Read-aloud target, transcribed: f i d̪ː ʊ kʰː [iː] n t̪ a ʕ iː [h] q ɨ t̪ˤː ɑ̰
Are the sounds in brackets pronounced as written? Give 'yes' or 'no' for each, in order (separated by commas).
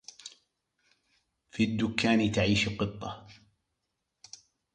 no, no